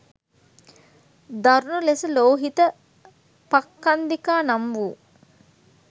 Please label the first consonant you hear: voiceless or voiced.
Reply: voiced